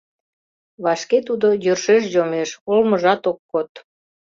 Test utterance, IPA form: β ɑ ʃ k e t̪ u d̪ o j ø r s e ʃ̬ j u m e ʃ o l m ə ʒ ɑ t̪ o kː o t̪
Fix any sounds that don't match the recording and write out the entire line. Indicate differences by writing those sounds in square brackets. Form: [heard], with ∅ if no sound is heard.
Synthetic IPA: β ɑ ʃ k e t̪ u d̪ o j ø r [ʃ] e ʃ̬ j [o] m e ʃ o l m ə ʒ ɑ t̪ o kː o t̪